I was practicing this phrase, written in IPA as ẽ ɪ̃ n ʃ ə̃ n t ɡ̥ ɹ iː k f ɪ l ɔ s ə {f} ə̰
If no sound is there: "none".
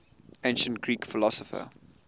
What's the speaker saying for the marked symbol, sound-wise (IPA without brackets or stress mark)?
f